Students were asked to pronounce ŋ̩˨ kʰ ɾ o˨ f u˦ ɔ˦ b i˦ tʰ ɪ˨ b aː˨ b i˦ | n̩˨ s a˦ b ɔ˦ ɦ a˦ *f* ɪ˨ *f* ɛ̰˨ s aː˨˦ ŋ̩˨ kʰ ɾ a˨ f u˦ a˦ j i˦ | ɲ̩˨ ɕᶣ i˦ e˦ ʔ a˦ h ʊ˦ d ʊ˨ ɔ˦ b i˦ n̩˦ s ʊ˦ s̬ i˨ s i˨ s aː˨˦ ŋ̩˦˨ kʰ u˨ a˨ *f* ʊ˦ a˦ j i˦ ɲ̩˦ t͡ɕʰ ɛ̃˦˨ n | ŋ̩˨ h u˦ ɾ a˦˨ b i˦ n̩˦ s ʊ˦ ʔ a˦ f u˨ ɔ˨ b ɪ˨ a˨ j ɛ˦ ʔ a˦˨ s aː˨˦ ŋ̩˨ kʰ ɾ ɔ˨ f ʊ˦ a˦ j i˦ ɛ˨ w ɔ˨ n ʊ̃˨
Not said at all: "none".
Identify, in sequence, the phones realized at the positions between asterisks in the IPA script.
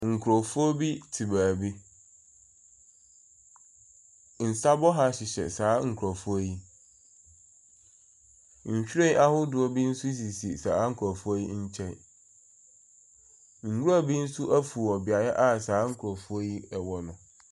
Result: ɕ, ɕ, f

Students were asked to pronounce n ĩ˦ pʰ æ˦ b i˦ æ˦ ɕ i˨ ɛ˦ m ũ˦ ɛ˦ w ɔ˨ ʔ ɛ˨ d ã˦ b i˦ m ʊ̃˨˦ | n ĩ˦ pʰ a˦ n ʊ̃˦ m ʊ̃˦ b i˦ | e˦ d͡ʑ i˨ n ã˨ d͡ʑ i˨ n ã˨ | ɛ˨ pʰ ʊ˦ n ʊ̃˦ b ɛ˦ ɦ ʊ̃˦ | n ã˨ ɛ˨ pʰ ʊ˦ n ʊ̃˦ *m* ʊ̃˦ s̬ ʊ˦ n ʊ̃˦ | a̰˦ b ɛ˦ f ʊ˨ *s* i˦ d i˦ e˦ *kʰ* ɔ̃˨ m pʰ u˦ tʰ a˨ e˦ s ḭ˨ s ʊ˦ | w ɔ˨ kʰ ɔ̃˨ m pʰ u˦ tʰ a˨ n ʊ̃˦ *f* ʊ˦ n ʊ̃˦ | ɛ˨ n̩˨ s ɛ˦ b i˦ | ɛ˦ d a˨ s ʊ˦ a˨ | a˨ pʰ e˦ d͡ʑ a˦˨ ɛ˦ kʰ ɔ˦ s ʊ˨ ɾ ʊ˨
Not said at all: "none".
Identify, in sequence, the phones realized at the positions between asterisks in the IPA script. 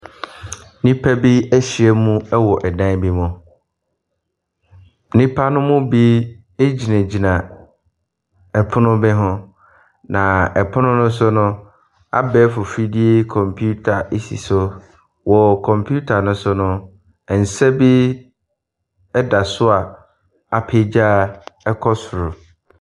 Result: n, f, kʰ, s

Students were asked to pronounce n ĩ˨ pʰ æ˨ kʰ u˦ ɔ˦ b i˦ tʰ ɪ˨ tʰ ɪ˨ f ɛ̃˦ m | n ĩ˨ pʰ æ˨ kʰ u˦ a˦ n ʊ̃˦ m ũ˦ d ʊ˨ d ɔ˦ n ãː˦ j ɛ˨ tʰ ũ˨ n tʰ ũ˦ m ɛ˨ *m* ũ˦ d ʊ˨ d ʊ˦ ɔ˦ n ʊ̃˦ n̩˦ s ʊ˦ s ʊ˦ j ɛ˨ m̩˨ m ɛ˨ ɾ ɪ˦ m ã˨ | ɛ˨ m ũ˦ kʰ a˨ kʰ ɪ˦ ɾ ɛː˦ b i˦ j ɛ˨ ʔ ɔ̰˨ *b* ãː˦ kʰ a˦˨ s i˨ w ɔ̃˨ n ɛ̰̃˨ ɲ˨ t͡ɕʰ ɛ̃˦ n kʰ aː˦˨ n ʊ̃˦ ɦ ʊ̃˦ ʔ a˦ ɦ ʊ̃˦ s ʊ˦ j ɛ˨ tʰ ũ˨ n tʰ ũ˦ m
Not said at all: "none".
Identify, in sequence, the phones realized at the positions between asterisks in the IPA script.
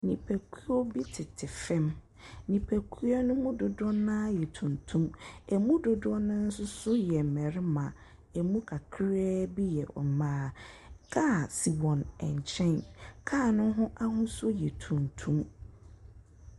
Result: m, m

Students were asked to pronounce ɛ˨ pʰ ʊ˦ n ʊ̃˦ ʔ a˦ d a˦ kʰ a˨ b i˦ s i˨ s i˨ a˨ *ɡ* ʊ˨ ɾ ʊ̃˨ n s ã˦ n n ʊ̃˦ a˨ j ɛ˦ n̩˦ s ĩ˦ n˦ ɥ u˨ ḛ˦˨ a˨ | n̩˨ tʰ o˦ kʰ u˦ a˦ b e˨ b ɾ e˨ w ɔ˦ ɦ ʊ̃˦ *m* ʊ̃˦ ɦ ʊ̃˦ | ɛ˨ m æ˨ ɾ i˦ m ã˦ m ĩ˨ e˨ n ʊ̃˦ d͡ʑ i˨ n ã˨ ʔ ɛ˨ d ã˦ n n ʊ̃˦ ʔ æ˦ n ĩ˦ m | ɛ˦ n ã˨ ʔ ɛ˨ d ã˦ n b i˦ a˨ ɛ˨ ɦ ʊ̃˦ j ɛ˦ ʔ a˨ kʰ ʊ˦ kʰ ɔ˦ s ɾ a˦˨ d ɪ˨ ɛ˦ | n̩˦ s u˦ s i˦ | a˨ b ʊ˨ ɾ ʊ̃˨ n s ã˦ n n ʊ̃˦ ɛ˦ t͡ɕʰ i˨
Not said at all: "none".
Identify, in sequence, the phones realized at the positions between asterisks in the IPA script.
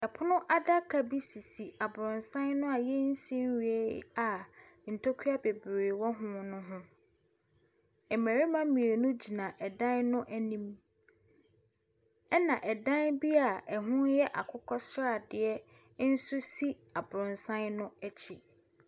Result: b, n

